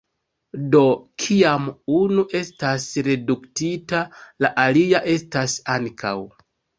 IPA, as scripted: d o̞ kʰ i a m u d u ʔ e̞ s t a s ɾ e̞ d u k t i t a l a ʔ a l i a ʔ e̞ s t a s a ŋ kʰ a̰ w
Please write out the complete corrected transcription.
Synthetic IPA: d o̞ kʰ i a m u n u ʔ e̞ s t a s ɾ e̞ d u k t i t a l a ʔ a l i a ʔ e̞ s t a s a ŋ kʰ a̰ w